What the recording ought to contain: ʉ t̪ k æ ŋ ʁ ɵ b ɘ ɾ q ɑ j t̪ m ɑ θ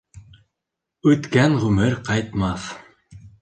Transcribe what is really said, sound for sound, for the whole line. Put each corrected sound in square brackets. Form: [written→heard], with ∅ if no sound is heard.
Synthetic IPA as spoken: ʉ t̪ k æ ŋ ʁ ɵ [b→m] ɘ ɾ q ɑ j t̪ m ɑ θ